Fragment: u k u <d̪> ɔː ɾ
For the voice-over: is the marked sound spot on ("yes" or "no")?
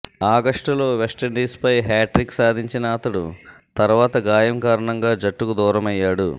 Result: yes